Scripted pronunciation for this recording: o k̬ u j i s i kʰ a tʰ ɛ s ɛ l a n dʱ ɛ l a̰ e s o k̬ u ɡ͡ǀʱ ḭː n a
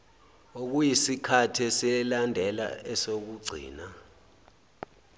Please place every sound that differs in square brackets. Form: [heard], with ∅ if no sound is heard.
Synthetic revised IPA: o k̬ u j i s i kʰ a tʰ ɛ s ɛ l a n dʱ ɛ l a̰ [ɛ] s o k̬ u ɡ͡ǀʱ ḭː n a